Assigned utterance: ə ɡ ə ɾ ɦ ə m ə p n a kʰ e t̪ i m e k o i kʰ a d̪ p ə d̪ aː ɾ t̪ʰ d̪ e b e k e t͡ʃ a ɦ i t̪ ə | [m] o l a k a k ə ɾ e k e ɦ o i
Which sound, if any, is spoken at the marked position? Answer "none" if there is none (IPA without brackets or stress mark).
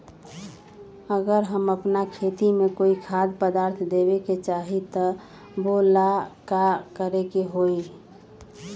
b